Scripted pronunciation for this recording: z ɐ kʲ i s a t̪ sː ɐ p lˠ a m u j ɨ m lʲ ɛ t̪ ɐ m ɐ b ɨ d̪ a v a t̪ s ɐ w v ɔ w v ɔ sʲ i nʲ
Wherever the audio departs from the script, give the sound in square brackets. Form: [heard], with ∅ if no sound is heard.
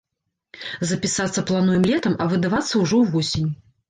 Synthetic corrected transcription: z ɐ [pʲ] i s a t̪ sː ɐ p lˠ a [n] u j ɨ m lʲ ɛ t̪ ɐ m ɐ [v] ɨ d̪ a v a t̪ [sː] ɐ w [ʐ] ɔ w v ɔ sʲ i nʲ